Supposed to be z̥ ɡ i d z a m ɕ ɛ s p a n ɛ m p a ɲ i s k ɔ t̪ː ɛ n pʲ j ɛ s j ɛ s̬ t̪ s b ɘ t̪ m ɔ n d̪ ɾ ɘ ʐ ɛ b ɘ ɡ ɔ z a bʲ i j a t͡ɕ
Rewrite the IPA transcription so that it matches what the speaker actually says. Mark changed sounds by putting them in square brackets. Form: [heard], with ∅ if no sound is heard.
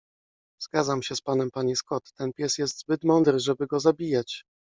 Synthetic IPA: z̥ ɡ [a] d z a m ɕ ɛ s p a n ɛ m p a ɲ i s k ɔ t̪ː ɛ n pʲ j ɛ s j ɛ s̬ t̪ [z] b ɘ t̪ m ɔ n d̪ ɾ ɘ ʐ ɛ b ɘ ɡ ɔ z a bʲ i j a t͡ɕ